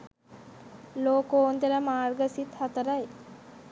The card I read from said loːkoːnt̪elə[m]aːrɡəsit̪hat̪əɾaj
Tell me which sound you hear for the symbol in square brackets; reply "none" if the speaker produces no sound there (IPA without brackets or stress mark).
m